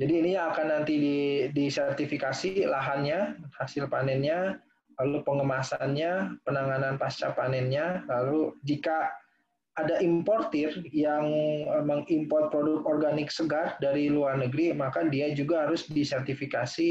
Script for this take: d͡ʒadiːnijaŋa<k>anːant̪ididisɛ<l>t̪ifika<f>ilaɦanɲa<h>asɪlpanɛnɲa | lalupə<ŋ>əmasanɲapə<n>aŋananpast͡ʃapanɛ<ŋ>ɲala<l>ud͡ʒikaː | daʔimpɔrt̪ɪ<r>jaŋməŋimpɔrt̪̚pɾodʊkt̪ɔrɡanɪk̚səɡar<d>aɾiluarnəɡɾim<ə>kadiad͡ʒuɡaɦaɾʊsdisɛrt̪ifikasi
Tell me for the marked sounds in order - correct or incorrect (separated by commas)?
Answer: correct, incorrect, incorrect, correct, correct, correct, incorrect, correct, correct, correct, incorrect